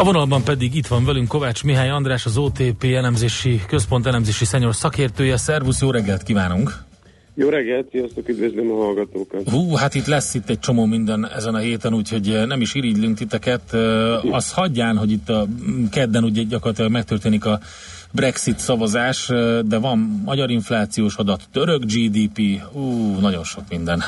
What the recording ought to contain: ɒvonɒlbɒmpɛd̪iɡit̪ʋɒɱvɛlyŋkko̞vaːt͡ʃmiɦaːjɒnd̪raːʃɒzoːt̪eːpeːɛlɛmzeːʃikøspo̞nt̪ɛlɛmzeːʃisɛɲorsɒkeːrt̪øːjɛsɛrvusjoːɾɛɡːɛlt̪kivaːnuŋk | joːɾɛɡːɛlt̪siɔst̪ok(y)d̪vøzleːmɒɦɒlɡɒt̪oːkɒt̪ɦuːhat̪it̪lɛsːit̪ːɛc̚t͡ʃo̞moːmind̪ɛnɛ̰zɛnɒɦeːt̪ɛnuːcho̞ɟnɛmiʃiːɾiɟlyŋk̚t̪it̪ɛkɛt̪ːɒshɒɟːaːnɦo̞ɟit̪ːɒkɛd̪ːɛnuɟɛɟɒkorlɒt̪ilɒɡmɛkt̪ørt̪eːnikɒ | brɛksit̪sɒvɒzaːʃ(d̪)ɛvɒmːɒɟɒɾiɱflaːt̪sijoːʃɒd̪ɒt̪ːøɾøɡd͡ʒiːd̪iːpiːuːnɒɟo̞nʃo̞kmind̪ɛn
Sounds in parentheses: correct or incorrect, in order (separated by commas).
correct, correct